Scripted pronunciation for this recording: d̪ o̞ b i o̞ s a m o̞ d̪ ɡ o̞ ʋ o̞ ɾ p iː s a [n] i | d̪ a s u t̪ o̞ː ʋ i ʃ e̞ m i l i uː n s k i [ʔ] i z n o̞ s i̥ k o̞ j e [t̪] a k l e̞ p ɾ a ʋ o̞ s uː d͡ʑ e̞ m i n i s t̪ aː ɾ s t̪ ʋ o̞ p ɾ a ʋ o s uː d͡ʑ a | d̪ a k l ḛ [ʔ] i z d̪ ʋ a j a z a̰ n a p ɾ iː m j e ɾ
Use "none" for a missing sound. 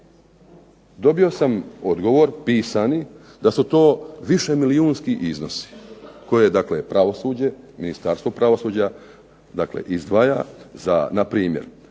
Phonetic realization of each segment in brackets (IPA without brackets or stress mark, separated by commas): n, ʔ, d̪, ʔ